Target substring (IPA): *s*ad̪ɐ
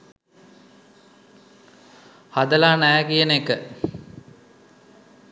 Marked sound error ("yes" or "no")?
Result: yes